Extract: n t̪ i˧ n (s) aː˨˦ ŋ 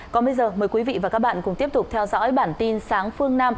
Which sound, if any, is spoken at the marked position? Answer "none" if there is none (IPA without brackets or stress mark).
s